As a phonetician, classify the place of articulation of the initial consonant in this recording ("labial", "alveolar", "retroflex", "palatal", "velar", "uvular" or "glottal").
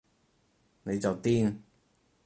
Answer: alveolar